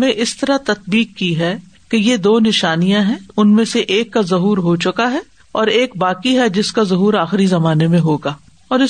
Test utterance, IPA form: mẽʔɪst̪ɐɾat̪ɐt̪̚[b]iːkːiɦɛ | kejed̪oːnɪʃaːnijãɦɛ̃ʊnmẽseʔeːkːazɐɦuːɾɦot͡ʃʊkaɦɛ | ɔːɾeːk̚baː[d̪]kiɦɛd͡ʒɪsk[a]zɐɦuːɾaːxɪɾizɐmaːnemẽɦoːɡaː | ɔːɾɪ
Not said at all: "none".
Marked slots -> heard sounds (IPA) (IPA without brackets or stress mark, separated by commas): b, none, a